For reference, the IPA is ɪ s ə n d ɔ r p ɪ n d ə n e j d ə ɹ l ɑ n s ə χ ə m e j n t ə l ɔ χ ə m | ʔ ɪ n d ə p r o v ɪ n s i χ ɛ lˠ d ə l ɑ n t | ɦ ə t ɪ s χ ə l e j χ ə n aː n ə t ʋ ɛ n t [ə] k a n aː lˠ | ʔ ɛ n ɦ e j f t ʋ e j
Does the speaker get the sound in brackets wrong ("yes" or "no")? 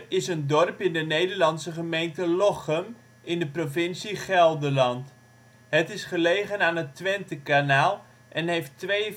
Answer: no